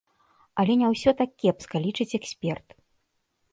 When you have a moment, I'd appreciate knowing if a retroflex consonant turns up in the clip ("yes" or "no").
yes